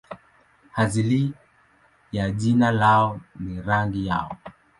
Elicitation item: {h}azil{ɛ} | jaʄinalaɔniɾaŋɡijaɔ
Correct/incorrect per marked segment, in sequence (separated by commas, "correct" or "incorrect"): correct, incorrect